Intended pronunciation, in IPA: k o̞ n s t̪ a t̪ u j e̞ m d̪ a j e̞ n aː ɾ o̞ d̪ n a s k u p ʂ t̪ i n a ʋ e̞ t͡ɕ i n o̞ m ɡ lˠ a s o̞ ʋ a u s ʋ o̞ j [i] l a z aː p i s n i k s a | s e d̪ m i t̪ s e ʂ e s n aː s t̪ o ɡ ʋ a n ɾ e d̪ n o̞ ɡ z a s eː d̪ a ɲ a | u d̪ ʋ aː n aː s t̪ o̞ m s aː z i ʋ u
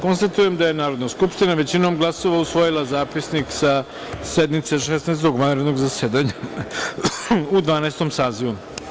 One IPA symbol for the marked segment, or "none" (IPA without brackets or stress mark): i